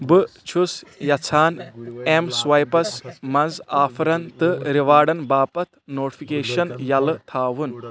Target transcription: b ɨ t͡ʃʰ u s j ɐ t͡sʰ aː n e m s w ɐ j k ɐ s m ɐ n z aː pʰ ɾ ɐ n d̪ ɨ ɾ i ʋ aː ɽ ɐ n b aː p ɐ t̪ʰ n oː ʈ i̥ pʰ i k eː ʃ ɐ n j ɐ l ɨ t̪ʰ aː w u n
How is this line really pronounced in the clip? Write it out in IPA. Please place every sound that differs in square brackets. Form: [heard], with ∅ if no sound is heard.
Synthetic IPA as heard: b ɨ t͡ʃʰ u s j ɐ t͡sʰ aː n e m s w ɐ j [p] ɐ s m ɐ n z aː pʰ ɾ ɐ n [t̪] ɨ ɾ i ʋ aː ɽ ɐ n b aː p ɐ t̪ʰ n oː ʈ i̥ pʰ i k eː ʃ ɐ n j ɐ l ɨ t̪ʰ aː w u n